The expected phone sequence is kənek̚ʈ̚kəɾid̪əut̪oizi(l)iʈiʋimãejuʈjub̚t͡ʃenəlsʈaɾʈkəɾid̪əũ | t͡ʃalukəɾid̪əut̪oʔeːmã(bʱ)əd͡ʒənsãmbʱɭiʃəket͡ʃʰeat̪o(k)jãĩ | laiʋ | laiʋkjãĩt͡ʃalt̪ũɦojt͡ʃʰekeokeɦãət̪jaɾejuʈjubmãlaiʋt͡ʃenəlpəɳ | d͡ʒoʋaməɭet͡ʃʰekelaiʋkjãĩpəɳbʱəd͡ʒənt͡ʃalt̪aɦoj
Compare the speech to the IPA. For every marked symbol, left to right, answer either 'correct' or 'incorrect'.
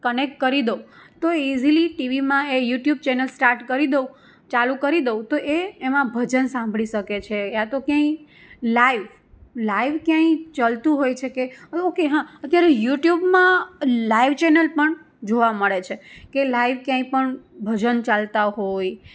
correct, correct, correct

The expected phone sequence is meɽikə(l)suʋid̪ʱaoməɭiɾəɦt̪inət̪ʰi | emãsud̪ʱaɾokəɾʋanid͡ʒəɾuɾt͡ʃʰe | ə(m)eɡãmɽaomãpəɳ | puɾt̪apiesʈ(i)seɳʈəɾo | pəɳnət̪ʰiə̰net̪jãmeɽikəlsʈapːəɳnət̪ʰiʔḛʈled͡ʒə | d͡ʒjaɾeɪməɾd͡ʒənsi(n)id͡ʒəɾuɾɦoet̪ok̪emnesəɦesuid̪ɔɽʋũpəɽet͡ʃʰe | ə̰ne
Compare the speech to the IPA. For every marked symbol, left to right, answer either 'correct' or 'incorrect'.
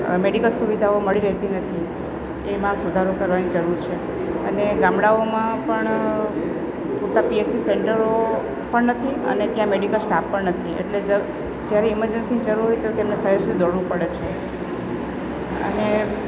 correct, incorrect: n, correct, correct

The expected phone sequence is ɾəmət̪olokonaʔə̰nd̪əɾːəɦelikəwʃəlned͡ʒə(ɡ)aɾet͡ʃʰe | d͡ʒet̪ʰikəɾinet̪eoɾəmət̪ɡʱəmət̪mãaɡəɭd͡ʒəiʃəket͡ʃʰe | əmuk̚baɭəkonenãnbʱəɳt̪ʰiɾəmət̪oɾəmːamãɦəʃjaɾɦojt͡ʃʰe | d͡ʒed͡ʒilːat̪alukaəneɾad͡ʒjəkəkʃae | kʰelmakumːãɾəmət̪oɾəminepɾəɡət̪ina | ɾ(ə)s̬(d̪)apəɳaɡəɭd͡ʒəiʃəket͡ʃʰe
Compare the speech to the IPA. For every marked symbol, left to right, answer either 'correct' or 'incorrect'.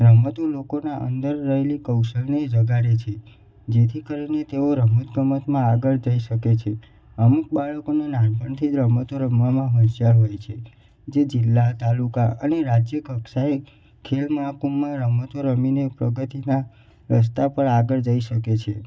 correct, correct, incorrect: t̪

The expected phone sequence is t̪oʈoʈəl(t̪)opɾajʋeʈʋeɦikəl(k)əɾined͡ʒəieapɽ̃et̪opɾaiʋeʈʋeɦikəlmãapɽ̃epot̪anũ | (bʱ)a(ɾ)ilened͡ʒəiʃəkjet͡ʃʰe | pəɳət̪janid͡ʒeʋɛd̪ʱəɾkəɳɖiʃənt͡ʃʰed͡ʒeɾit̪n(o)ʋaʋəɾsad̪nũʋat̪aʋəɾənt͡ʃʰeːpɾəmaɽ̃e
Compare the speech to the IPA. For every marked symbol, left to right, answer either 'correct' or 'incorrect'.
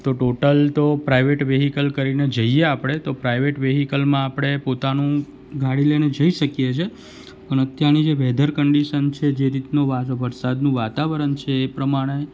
correct, correct, incorrect: ɡʱ, incorrect: ɽ, correct

